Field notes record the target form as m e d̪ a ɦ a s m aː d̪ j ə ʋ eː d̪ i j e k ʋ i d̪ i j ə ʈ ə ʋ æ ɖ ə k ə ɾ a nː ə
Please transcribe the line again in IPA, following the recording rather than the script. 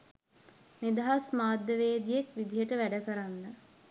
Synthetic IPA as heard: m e d̪ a ɦ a s m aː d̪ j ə ʋ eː d̪ i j e k ʋ i d̪ i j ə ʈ ə ʋ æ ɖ ə k ə ɾ a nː ə